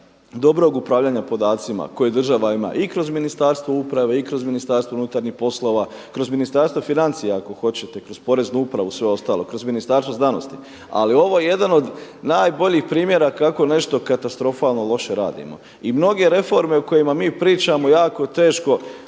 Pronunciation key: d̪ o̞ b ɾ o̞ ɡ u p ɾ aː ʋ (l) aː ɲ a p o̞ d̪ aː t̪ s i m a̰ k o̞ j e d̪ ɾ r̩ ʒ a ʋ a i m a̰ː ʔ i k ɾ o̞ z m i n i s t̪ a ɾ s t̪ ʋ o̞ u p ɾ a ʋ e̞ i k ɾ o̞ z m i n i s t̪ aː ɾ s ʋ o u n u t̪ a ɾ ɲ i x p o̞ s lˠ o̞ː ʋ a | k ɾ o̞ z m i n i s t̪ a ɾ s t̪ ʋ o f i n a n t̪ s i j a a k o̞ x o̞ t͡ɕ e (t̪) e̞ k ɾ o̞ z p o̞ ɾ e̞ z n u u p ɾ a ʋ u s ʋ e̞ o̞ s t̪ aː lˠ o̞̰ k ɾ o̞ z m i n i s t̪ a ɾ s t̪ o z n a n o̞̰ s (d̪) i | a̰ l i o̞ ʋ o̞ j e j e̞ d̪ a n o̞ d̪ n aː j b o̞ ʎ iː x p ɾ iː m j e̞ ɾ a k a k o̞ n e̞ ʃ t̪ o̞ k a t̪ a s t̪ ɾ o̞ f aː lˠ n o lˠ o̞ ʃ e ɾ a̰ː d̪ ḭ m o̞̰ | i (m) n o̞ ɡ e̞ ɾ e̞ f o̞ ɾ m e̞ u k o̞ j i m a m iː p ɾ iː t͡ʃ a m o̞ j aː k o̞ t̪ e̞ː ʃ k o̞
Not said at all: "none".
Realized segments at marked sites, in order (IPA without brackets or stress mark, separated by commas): ʎ, t̪, t̪, m